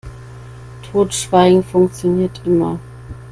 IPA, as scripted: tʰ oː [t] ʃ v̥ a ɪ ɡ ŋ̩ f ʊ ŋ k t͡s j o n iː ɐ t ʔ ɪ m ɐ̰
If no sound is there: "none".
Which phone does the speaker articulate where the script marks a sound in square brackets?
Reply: t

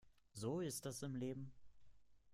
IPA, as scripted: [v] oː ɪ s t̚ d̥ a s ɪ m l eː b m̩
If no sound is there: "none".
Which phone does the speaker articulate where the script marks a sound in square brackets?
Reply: z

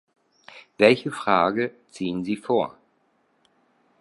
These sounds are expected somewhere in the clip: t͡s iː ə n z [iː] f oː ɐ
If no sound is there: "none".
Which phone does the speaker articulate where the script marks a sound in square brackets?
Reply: iː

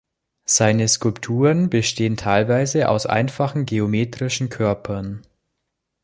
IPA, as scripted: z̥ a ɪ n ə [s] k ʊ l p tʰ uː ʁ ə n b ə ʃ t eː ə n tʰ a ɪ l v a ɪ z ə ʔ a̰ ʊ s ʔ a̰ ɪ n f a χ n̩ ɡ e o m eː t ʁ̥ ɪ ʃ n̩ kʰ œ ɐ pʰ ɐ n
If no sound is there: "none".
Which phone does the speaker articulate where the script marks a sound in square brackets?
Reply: s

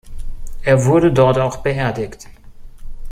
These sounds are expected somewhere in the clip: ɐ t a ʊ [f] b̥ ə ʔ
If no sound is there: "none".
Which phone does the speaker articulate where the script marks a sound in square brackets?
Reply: x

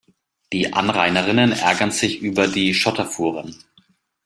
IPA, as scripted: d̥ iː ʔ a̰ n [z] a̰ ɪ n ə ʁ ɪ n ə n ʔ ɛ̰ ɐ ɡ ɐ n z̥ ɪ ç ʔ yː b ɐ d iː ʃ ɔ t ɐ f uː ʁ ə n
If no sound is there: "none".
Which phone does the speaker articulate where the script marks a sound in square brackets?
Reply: ʁ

